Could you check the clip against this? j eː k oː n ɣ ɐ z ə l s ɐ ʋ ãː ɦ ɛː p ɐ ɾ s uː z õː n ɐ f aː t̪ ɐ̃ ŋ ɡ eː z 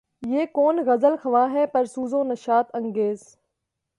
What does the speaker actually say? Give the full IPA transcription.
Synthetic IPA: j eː k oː n ɣ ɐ z ə l x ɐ ʋ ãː ɦ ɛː p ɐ ɾ s uː z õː n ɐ ʃ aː t̪ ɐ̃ ŋ ɡ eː z